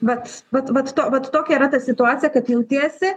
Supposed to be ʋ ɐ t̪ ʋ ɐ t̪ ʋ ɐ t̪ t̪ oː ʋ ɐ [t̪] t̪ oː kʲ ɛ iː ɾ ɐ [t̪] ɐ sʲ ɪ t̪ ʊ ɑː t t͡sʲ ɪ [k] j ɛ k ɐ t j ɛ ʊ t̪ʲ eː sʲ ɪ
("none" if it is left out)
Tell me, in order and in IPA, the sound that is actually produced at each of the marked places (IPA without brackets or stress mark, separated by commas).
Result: t̪, t̪, none